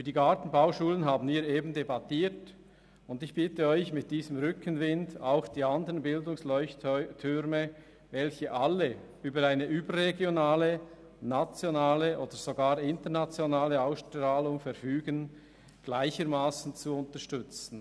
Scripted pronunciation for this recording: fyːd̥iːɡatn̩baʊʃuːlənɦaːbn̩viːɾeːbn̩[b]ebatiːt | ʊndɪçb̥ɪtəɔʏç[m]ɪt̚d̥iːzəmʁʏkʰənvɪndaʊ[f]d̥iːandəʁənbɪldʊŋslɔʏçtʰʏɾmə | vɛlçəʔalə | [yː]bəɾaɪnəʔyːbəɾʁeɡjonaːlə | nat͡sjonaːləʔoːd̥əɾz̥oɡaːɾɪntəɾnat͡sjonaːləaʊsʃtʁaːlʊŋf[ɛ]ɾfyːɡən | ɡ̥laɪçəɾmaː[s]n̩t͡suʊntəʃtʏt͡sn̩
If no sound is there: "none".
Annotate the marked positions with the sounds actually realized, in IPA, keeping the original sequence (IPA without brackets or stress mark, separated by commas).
d, m, x, yː, ɛ, s